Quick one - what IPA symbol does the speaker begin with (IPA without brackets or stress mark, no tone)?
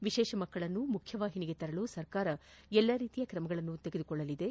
ʋ